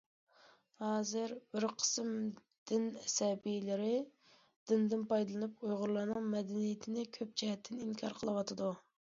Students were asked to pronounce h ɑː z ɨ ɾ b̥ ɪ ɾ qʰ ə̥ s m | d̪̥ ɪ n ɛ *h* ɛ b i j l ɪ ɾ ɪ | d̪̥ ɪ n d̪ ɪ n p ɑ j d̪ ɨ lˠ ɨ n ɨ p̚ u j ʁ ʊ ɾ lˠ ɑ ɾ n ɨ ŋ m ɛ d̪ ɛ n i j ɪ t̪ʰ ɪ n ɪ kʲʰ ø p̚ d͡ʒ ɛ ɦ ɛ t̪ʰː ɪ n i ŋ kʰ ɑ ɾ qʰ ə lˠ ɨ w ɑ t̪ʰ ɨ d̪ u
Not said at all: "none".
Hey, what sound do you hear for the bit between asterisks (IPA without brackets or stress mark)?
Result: s